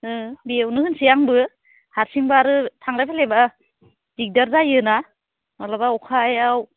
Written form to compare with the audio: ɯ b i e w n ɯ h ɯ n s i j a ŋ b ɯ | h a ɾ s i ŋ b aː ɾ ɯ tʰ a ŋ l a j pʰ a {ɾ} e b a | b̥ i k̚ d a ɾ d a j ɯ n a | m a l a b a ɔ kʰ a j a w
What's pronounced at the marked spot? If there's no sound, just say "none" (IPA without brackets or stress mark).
l